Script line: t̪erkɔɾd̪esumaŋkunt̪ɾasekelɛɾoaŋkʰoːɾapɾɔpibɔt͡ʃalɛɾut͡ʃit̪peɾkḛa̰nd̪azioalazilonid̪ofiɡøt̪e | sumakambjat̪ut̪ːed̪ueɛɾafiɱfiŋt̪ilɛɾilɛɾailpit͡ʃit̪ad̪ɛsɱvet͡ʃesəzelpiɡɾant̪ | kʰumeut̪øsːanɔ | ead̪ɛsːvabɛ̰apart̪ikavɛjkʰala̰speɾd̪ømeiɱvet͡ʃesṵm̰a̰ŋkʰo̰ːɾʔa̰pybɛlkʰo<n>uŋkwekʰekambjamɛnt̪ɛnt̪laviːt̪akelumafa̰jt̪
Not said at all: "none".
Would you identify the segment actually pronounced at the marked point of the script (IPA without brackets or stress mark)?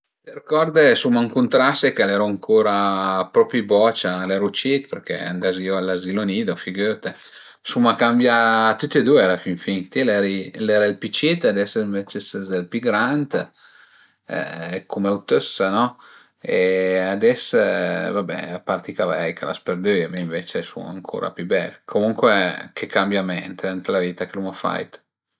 m